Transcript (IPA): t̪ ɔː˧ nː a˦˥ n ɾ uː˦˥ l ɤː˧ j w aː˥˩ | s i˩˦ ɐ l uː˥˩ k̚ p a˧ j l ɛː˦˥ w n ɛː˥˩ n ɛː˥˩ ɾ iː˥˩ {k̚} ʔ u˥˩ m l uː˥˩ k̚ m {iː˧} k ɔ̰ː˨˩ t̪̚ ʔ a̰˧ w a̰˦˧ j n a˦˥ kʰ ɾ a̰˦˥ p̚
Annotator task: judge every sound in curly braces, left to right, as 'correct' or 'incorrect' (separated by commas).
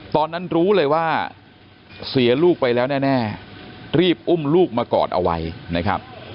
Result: incorrect, incorrect